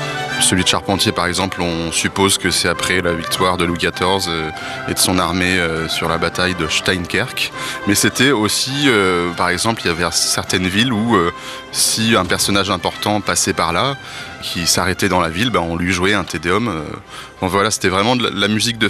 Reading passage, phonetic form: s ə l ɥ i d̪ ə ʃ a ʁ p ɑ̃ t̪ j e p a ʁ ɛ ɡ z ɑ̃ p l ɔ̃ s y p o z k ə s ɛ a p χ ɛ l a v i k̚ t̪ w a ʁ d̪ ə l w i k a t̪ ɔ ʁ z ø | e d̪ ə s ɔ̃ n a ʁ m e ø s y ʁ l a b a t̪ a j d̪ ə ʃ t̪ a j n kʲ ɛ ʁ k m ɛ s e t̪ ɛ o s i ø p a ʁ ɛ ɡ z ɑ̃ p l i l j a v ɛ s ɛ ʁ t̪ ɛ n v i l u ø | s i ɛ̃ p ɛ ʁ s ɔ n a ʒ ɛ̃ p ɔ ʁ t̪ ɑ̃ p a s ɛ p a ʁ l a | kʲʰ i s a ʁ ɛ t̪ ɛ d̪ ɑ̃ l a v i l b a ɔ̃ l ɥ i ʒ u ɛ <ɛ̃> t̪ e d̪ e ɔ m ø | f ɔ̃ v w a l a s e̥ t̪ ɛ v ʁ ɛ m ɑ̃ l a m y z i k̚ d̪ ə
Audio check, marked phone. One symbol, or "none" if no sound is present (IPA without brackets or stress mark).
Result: ɛ̃